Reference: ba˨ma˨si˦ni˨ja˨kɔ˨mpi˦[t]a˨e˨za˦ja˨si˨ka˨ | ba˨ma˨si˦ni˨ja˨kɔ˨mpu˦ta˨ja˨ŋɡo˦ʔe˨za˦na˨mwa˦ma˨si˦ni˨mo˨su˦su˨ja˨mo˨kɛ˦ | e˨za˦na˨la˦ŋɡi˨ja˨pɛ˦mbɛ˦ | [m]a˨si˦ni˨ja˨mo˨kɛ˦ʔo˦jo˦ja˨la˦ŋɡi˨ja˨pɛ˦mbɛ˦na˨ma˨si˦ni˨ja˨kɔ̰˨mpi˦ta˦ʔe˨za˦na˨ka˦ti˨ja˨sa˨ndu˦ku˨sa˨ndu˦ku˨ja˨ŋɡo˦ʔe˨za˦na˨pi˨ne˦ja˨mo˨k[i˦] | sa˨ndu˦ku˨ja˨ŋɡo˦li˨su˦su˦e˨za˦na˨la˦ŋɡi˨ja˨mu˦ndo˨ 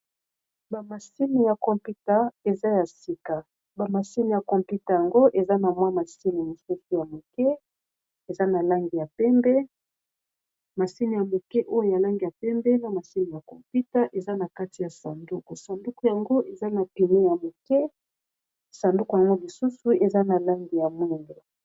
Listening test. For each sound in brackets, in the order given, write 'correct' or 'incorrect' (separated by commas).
correct, correct, incorrect